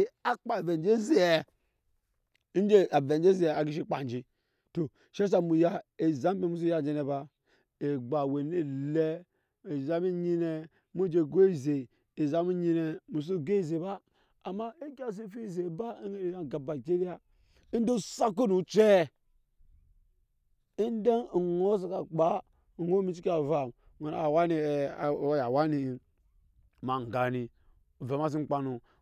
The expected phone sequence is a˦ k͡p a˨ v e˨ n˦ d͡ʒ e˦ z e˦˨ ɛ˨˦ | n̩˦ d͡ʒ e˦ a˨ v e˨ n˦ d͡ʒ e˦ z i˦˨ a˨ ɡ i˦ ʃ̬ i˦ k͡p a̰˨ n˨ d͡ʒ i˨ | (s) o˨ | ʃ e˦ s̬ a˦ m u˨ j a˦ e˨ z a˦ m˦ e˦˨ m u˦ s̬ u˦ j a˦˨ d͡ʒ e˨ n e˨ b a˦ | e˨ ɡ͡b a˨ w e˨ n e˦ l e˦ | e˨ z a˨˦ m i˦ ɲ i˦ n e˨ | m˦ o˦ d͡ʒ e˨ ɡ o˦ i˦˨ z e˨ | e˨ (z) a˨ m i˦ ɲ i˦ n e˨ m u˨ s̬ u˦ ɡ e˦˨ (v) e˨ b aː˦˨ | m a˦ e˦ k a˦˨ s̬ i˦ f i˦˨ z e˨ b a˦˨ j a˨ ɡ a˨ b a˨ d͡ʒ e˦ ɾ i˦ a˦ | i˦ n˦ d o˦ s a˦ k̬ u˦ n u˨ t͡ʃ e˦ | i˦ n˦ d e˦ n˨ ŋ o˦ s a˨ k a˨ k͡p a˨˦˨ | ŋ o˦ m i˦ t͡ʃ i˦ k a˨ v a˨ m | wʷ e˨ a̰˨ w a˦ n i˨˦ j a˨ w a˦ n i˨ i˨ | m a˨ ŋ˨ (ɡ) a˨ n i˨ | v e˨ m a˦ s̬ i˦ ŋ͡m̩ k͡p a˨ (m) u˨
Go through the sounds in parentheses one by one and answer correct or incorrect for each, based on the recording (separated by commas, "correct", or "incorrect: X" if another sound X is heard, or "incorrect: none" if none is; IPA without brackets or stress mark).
incorrect: t, correct, incorrect: z, correct, incorrect: n